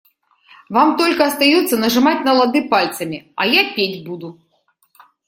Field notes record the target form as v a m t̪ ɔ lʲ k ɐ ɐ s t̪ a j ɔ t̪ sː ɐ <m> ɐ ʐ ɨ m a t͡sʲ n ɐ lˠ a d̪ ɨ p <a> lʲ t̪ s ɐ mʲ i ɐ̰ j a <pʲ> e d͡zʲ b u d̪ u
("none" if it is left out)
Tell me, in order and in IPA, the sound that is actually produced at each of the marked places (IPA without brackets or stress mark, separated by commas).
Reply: n, a, pʲ